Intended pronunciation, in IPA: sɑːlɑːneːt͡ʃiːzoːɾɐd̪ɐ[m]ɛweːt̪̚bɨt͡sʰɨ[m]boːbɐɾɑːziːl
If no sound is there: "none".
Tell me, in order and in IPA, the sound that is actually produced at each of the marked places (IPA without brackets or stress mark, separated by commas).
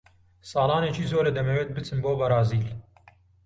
m, n